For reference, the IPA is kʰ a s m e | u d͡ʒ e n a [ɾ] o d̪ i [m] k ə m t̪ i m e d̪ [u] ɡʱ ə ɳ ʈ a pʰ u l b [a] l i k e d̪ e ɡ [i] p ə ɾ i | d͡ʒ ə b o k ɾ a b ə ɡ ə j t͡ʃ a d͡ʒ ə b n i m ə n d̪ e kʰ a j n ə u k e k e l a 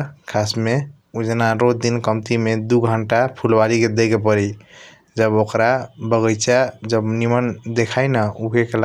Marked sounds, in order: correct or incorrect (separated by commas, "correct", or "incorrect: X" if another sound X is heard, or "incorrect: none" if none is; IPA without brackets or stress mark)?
correct, incorrect: n, correct, correct, incorrect: e